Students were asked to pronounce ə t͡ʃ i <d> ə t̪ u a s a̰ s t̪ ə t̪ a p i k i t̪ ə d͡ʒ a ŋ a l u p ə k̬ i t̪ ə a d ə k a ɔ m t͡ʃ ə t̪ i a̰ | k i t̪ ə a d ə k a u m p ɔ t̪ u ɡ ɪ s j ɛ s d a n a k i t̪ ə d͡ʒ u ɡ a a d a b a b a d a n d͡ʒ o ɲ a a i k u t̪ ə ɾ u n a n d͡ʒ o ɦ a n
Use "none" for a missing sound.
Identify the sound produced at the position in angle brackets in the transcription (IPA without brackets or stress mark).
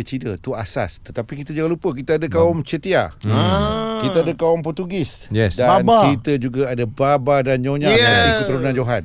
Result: d